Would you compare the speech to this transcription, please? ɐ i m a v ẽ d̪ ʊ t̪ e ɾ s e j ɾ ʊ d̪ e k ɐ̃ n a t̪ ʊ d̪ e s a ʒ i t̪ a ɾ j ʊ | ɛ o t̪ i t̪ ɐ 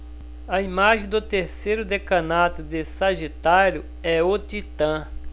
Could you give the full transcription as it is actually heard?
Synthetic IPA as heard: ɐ i m a ʒ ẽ d̪ ʊ t̪ e ɾ s e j ɾ ʊ d̪ e k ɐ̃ n a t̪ ʊ d̪ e s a ʒ i t̪ a ɾ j ʊ | ɛ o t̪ i t̪ ɐ̃